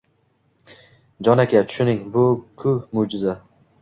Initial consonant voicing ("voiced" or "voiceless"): voiced